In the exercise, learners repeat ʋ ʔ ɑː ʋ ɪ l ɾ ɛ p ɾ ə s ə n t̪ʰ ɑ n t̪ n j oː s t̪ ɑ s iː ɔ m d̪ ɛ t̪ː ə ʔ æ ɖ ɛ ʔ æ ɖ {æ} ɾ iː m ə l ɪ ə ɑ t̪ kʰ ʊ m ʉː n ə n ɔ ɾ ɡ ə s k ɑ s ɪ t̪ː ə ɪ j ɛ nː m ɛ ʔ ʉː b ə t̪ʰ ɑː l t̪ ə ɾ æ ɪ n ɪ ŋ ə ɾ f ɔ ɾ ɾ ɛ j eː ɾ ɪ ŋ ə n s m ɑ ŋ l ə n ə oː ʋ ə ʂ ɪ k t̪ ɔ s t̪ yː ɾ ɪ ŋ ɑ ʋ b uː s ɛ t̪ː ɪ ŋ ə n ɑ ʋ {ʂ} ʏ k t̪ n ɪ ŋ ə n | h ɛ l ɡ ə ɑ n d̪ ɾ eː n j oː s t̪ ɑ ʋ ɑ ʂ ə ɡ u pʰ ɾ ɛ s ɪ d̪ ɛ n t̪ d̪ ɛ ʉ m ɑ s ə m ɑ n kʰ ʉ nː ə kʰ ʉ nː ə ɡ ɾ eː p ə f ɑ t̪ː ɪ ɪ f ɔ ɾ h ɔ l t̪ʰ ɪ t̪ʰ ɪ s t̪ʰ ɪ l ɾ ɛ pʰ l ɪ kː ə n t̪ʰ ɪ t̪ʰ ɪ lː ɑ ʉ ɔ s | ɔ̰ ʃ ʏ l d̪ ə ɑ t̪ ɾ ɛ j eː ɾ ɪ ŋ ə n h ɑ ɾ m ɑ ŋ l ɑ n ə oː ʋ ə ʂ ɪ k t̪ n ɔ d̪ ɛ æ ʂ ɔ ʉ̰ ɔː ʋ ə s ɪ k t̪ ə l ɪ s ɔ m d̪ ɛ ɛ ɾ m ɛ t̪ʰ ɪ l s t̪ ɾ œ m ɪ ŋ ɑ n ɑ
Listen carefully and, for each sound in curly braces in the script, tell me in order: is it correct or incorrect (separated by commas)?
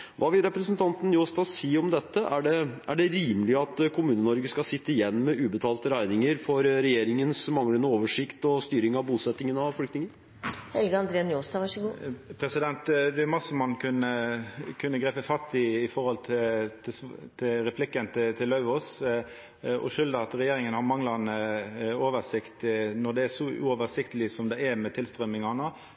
incorrect, incorrect